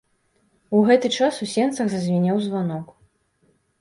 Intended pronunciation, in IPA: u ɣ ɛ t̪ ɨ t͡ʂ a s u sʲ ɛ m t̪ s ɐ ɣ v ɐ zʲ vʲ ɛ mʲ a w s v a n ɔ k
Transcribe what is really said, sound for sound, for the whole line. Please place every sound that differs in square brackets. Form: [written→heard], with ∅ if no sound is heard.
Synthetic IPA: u ɣ ɛ t̪ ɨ t͡ʂ a s u sʲ ɛ [m→n] t̪ s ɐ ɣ [v→z] ɐ zʲ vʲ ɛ [mʲ→nʲ] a w [s→z] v a n ɔ k